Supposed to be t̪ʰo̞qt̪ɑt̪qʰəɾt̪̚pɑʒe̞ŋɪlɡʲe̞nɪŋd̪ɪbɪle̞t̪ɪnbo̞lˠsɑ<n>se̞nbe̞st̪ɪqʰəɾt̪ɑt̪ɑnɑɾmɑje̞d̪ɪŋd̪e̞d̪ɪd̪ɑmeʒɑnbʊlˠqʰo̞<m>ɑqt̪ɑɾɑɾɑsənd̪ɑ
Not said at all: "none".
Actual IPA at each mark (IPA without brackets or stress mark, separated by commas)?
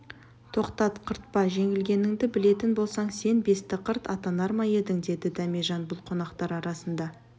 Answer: ɴ, n